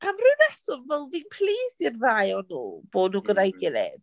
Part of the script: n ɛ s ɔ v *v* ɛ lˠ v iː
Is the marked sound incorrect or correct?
correct